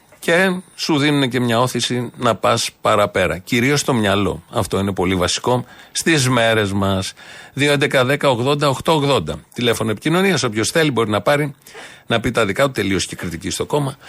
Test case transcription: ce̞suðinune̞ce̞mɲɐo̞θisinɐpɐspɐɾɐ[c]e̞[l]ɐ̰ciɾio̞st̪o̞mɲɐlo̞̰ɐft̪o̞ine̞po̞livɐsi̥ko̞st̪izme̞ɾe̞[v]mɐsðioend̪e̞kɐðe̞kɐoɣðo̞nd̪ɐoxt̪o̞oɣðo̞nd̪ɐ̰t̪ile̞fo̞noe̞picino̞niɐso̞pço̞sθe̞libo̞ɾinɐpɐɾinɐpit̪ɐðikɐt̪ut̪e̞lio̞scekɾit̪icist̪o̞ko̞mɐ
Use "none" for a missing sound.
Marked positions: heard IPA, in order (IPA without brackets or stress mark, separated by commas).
p, ɾ, z